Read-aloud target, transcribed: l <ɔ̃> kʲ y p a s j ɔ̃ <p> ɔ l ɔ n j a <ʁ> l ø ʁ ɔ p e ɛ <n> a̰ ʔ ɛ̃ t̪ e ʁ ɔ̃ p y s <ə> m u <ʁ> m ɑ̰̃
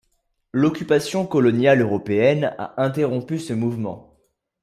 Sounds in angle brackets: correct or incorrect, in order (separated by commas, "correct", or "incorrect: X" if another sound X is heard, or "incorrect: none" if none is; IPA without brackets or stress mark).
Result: incorrect: ɔ, incorrect: k, incorrect: none, correct, correct, incorrect: v